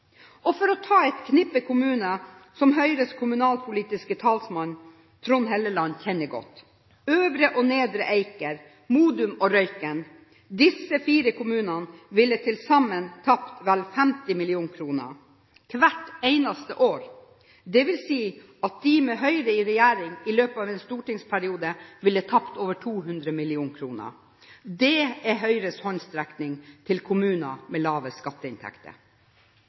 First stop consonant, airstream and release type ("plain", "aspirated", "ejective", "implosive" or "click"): aspirated